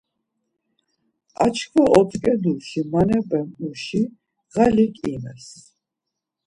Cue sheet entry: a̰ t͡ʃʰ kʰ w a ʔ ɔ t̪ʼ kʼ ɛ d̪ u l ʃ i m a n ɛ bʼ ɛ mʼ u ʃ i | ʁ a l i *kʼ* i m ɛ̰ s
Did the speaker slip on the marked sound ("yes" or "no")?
no